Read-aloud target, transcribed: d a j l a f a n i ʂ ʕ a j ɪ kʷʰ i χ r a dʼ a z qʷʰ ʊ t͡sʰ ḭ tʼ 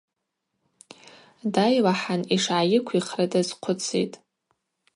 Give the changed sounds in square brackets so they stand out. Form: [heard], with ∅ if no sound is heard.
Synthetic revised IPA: d a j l a [ħ] a n i ʂ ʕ a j ɪ kʷʰ i χ r a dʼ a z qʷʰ ʊ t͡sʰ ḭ tʼ